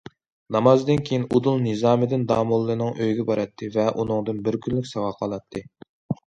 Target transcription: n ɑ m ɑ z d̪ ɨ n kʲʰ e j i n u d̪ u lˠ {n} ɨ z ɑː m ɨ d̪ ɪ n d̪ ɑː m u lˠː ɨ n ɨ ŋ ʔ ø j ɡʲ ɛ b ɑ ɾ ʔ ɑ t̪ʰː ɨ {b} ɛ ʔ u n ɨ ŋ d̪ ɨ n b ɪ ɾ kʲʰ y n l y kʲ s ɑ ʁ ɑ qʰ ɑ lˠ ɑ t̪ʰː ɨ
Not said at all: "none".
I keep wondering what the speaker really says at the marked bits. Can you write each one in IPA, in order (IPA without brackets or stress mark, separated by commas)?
n, v